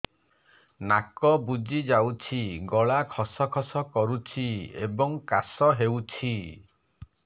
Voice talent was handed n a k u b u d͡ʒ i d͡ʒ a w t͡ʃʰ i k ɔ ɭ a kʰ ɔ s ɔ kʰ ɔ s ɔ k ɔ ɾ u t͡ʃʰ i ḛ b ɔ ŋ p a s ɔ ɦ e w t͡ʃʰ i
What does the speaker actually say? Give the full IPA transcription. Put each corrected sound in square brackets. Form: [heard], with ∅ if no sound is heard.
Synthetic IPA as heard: n a k [ɔ] b u d͡ʒ i d͡ʒ a w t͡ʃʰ i [ɡ] ɔ ɭ a kʰ ɔ s ɔ kʰ ɔ s ɔ k ɔ ɾ u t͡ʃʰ i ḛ b ɔ ŋ [k] a s ɔ ɦ e w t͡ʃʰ i